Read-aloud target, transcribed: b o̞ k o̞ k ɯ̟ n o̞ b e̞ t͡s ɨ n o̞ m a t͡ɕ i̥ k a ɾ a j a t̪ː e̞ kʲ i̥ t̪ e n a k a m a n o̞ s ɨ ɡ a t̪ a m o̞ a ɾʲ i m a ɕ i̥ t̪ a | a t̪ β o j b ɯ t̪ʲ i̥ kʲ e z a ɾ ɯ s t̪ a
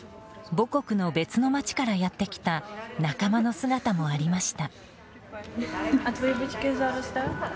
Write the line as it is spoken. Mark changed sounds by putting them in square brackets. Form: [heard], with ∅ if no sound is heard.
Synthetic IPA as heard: b o̞ k o̞ k ɯ̟ n o̞ b e̞ t͡s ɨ n o̞ m a t͡ɕ i̥ k a ɾ a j a t̪ː e̞ kʲ i̥ t̪ [a] n a k a m a n o̞ s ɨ ɡ a t̪ a m o̞ a ɾʲ i m a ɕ i̥ t̪ a | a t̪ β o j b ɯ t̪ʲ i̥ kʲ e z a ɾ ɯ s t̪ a